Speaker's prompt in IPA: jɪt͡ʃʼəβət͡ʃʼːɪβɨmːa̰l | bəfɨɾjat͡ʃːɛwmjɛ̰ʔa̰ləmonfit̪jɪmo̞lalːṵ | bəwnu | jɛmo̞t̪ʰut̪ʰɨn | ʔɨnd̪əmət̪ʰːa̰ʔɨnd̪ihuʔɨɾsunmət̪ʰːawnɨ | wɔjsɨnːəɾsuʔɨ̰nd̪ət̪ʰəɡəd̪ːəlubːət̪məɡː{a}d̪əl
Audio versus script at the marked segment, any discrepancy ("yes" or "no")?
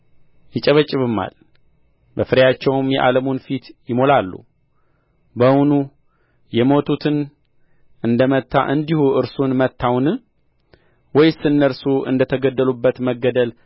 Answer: yes